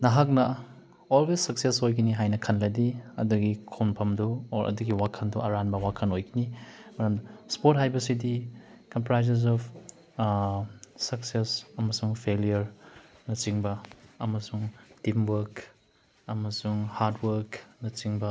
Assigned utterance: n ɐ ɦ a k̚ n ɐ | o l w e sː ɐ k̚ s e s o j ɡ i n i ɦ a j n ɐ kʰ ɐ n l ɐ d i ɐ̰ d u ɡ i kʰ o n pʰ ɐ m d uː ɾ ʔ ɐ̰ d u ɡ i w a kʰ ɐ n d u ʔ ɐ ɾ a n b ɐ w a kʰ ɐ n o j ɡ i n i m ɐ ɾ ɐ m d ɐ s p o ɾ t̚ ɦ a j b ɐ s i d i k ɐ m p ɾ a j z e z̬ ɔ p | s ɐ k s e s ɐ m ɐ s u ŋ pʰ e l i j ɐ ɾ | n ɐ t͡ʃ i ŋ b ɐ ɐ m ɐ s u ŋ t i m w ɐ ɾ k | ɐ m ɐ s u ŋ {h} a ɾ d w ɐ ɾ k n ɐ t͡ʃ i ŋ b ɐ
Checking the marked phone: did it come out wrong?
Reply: no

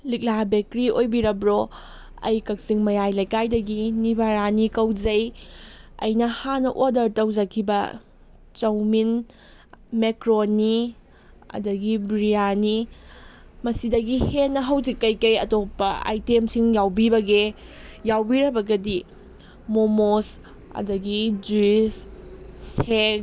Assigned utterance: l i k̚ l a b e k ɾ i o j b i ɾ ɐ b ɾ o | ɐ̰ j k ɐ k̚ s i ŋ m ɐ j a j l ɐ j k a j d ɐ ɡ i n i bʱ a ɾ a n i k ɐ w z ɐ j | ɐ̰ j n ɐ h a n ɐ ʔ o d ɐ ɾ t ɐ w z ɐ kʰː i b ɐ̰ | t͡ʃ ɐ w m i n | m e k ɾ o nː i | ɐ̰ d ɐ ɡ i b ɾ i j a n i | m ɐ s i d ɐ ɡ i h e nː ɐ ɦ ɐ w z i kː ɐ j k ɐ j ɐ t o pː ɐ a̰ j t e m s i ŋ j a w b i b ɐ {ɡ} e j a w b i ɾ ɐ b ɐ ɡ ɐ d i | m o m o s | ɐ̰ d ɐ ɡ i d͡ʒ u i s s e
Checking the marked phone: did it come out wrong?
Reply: no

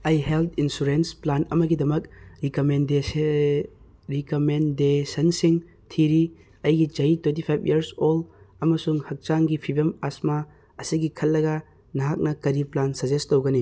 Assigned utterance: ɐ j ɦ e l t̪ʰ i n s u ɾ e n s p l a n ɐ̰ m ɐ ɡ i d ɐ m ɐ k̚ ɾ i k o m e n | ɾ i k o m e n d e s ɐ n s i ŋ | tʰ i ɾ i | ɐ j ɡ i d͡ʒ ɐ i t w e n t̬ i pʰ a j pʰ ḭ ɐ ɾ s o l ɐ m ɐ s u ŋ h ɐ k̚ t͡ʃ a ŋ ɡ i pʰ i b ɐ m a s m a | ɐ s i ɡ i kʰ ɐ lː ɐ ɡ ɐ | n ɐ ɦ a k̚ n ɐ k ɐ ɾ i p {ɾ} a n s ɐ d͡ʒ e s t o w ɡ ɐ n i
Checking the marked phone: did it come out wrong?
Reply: yes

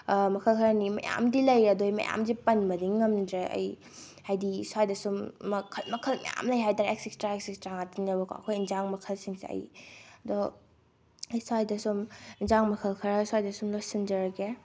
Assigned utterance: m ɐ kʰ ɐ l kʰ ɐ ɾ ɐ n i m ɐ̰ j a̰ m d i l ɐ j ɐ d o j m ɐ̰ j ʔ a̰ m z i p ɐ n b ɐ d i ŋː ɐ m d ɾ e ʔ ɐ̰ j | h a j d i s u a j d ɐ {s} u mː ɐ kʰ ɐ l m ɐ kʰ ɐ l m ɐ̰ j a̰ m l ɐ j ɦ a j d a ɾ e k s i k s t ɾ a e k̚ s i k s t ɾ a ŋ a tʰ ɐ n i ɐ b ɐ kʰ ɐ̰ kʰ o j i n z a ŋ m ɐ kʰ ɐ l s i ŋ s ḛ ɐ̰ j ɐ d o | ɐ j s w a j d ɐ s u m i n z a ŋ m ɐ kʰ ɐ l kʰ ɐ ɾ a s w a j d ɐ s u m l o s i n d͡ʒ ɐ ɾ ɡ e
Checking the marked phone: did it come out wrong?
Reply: no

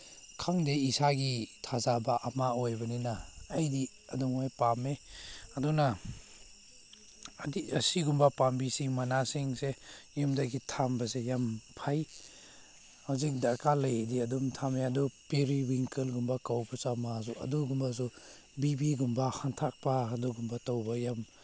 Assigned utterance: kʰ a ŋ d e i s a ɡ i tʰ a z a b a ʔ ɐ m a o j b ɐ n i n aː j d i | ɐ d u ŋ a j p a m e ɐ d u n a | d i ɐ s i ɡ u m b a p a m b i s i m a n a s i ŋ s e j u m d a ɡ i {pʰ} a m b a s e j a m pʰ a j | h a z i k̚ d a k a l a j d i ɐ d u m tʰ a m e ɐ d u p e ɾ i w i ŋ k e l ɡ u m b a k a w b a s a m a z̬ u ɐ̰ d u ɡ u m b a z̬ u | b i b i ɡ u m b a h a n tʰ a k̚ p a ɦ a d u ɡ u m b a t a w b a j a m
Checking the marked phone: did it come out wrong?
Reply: yes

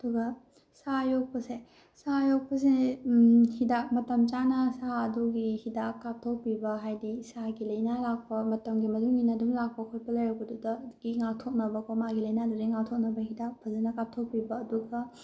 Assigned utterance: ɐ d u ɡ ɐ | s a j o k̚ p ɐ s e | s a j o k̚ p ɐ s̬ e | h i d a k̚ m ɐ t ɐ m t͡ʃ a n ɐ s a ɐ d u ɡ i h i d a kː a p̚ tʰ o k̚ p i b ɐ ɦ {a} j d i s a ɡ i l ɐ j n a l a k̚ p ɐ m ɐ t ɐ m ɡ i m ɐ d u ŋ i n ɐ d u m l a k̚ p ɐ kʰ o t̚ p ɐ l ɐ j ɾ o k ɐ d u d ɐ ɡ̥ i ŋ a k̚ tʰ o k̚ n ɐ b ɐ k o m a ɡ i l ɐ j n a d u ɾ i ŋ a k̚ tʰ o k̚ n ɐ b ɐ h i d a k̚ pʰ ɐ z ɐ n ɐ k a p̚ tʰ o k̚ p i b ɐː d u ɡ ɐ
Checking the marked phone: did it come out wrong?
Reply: no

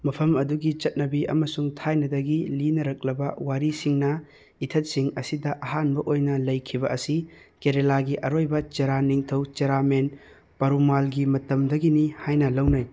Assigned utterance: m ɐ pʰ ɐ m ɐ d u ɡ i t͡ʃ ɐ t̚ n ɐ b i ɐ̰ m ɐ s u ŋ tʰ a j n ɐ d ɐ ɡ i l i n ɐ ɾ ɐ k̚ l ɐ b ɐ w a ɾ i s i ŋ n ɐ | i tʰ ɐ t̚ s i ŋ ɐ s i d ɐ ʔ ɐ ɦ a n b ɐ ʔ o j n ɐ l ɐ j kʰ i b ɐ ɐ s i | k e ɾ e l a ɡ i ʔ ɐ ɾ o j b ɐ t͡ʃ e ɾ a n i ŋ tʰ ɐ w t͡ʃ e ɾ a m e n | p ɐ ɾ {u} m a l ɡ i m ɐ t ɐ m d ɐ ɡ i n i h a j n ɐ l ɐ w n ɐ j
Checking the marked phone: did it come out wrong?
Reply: no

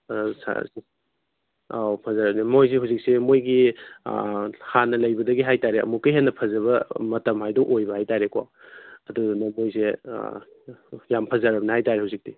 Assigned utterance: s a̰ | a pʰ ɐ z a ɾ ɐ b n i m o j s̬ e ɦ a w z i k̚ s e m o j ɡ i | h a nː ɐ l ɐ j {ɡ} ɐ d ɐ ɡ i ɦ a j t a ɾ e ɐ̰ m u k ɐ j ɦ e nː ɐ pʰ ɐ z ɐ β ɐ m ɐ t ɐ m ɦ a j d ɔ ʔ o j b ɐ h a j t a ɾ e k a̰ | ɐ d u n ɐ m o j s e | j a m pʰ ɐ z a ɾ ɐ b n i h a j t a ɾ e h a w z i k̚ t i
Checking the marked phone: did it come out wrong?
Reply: yes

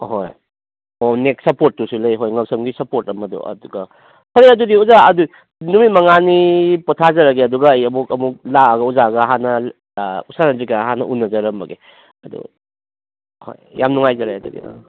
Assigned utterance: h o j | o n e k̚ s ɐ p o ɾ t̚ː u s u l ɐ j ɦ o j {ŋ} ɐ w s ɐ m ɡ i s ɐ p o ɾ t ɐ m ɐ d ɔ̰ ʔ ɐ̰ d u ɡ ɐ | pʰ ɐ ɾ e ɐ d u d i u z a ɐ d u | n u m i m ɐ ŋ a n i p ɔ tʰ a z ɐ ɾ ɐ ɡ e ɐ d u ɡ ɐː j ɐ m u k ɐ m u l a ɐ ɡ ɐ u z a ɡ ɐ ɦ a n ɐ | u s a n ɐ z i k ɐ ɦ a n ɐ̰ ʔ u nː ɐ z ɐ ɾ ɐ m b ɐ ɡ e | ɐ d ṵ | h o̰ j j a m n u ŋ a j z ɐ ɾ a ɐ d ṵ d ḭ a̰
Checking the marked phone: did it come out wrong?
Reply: no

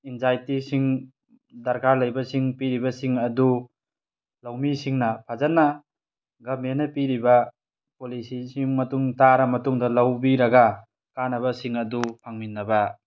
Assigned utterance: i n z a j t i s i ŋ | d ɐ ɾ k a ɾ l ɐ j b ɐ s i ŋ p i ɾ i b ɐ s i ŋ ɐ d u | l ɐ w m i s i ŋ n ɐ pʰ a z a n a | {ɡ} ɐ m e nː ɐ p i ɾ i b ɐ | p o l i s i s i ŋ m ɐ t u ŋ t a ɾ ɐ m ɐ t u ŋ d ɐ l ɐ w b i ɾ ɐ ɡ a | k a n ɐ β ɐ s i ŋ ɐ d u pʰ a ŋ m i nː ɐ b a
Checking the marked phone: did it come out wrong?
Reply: no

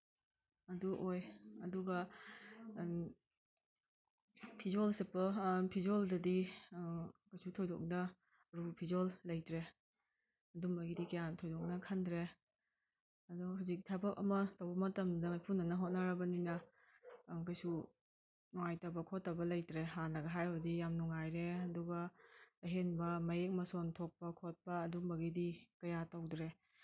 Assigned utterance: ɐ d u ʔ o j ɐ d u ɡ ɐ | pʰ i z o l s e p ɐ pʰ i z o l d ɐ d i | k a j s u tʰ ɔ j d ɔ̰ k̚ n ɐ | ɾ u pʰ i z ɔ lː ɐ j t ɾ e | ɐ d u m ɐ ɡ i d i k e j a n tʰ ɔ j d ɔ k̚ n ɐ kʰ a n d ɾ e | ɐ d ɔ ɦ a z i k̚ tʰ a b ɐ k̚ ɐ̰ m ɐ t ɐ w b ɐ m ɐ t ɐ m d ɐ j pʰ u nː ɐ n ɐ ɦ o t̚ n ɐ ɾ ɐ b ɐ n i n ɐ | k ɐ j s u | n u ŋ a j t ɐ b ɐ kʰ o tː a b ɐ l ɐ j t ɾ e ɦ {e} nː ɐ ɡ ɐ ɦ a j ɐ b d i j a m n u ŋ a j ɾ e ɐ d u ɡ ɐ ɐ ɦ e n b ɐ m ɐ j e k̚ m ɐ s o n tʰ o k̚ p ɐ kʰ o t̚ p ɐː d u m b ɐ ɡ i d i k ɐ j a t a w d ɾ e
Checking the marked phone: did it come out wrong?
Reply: yes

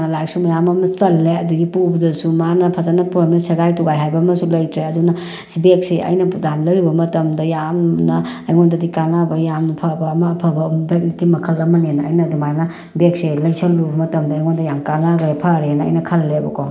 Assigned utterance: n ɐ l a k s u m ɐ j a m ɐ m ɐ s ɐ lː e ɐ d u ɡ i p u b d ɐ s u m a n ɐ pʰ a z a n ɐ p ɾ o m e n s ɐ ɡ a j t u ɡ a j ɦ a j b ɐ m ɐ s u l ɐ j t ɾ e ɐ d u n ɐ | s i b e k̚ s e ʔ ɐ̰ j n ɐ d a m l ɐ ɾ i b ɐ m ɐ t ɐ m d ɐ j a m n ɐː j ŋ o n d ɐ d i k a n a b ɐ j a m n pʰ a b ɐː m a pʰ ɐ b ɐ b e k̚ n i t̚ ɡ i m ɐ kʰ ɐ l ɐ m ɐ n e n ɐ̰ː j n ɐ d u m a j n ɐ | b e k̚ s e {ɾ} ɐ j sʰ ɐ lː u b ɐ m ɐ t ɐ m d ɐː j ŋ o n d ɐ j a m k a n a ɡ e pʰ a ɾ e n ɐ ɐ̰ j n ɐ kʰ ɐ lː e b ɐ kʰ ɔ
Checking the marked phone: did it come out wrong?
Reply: yes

